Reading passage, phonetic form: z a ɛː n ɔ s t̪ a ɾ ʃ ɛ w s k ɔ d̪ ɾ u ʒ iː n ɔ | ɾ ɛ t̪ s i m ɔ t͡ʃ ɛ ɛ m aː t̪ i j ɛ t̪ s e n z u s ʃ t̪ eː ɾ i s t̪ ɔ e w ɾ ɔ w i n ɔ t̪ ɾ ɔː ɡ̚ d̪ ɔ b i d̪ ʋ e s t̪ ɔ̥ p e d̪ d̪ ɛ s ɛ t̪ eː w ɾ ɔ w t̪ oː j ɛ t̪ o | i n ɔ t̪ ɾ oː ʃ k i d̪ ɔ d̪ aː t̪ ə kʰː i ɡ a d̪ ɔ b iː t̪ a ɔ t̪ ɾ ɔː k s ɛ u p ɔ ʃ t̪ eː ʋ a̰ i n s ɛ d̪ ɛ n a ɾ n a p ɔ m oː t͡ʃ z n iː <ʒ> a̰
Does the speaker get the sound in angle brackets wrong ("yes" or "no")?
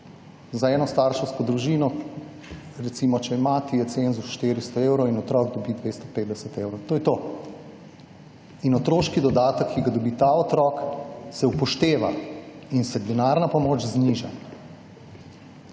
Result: no